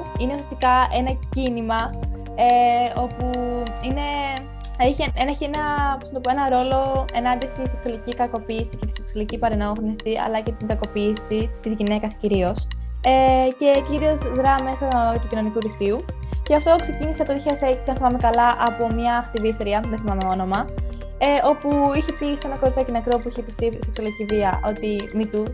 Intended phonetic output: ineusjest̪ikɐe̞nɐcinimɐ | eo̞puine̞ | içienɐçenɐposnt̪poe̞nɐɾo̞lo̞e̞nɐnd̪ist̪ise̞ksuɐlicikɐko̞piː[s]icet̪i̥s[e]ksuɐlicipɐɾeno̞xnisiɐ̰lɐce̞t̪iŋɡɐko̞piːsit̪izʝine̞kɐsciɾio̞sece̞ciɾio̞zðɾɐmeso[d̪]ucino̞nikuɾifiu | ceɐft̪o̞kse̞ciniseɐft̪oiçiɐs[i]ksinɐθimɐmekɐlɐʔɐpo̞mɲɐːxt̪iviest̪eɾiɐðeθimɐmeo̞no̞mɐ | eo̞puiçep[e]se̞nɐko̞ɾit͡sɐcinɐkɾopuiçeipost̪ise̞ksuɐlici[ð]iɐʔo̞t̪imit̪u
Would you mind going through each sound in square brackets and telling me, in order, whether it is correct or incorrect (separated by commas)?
correct, correct, incorrect, incorrect, incorrect, incorrect